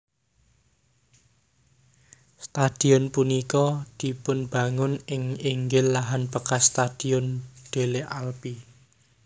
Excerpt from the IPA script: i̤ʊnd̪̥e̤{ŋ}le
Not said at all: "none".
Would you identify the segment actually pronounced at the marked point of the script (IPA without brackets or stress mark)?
none